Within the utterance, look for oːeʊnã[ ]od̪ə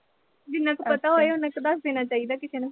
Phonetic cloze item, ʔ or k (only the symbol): k